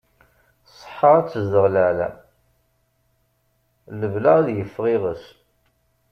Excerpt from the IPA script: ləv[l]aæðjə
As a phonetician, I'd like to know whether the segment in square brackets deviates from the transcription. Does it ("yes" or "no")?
no